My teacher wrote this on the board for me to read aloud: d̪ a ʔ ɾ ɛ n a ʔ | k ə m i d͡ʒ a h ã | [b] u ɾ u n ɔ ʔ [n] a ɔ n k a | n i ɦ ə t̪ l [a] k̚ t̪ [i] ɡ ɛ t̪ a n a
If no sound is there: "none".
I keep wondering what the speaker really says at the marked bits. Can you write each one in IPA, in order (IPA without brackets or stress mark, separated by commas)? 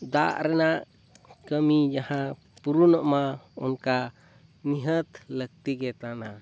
p, m, ə, i